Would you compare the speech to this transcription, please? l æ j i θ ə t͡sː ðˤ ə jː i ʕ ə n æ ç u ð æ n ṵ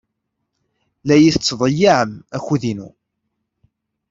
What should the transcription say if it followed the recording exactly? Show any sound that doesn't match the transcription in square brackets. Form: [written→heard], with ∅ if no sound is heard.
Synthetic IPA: l æ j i θ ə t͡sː ðˤ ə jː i ʕ ə [n→m] æ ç u ð [æ→i] n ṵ